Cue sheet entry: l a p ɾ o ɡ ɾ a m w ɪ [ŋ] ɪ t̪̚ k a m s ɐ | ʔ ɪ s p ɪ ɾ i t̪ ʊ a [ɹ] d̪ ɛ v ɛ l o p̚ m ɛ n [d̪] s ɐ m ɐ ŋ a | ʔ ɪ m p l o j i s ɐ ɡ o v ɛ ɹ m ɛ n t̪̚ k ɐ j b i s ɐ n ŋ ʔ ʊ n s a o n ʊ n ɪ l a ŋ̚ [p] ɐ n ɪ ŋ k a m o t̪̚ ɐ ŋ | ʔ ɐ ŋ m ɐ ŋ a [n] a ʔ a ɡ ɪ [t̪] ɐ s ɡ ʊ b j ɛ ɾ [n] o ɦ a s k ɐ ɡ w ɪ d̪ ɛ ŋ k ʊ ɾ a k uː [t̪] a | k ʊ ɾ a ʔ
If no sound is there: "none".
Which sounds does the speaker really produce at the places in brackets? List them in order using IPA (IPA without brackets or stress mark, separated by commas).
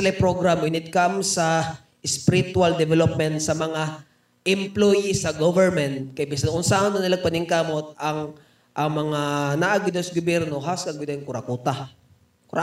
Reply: n, l, t̪, p, n, d̪, n, t̪